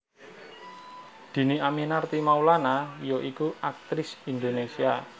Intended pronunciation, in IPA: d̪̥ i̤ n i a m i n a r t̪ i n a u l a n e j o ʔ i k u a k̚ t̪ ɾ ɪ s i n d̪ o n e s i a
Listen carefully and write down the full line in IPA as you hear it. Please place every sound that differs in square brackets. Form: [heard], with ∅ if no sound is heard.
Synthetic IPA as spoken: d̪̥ i̤ n i a m i n a r t̪ i [m] a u l a n [a] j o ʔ i k u a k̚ t̪ ɾ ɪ s i n d̪ o n e s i a